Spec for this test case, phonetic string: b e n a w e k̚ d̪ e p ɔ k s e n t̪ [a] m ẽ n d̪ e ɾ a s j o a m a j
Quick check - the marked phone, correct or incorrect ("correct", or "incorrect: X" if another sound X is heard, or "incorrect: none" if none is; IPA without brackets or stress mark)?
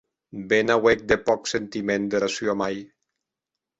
incorrect: i